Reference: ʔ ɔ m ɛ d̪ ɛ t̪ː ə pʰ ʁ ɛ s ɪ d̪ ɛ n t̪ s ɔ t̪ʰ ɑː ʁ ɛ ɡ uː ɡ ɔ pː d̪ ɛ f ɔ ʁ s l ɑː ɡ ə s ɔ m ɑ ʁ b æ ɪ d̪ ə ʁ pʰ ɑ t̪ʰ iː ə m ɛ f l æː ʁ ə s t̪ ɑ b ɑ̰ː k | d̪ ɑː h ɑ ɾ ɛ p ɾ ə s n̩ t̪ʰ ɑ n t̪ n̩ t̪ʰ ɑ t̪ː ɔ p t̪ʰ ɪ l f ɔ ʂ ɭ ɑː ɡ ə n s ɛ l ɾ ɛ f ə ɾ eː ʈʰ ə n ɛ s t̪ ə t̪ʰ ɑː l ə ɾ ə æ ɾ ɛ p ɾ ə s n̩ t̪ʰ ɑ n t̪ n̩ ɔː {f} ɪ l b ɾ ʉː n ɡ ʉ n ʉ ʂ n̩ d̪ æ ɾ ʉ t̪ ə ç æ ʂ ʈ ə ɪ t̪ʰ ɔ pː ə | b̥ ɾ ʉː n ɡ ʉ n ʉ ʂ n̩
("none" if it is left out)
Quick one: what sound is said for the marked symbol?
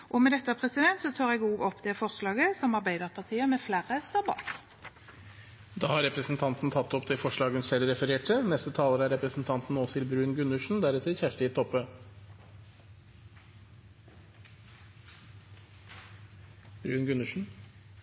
s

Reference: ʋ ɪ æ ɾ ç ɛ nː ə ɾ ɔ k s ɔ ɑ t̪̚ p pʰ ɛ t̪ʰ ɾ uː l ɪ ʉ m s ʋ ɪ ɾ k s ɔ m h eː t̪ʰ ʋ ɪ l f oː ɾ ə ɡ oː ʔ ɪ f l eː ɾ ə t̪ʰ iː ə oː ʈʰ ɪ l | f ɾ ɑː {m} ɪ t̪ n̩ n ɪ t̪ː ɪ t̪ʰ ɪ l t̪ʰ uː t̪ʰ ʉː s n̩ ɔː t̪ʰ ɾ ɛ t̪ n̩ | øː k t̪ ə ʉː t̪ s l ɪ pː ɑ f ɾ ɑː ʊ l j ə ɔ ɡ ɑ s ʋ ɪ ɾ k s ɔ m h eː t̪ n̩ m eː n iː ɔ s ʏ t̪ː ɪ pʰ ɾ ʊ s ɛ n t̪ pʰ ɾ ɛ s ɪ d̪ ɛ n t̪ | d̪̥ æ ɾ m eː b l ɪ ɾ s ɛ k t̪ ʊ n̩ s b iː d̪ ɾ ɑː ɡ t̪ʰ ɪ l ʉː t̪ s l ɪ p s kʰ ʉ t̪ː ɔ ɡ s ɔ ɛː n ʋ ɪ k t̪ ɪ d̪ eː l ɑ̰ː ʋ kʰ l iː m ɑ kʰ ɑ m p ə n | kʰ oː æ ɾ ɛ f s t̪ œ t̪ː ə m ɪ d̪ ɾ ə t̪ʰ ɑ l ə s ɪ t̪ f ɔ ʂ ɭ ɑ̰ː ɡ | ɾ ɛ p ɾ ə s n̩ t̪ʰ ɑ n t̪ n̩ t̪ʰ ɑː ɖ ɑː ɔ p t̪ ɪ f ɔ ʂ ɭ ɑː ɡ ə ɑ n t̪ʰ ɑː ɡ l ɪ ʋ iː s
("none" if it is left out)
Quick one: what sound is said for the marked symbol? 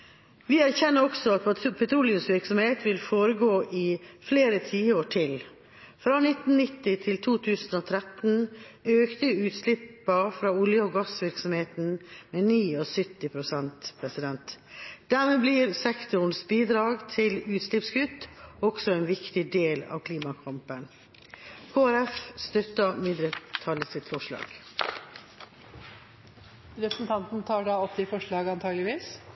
n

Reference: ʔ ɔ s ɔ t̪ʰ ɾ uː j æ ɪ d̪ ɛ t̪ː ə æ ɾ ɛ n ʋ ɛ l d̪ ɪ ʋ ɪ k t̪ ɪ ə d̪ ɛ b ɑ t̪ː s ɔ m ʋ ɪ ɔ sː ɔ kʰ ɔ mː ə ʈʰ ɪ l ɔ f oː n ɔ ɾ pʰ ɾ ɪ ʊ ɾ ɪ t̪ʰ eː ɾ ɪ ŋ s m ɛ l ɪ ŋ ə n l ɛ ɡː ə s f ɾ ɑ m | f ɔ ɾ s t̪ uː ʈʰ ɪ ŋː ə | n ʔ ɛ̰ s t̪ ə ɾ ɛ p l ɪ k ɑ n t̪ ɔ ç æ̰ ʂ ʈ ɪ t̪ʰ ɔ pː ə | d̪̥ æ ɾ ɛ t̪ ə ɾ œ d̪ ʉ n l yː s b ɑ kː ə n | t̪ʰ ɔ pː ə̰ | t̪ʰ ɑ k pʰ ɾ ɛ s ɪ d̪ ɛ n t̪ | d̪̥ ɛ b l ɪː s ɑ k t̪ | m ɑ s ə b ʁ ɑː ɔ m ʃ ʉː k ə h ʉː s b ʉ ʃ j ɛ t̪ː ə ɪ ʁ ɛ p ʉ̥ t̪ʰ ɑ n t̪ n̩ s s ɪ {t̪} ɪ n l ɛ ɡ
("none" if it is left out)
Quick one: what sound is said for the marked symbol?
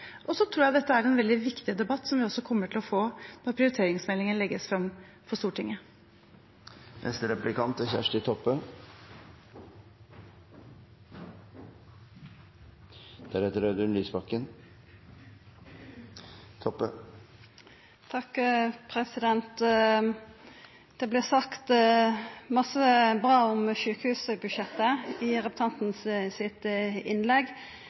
t̪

